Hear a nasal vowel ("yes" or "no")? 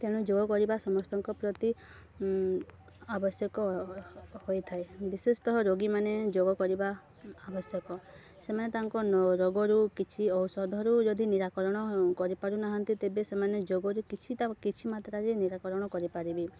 no